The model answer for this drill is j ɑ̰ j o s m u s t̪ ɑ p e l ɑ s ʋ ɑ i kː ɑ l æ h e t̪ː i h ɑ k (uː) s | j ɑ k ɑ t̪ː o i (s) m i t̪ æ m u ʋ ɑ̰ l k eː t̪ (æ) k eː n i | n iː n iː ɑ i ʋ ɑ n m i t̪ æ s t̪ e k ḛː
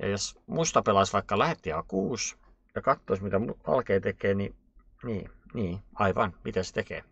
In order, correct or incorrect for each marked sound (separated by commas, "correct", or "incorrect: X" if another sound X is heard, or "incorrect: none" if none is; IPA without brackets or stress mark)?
correct, correct, incorrect: e